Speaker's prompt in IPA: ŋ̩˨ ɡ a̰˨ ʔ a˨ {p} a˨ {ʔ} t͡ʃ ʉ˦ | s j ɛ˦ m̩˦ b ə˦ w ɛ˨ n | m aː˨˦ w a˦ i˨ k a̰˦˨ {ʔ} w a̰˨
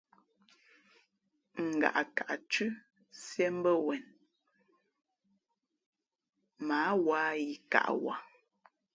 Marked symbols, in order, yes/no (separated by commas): no, yes, yes